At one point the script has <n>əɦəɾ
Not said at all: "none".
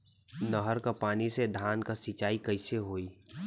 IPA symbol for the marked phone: n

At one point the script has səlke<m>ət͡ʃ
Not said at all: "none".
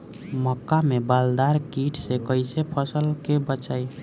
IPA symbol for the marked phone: b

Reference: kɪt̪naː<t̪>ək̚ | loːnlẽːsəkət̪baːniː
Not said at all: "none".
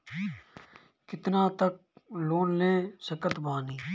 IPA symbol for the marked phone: t̪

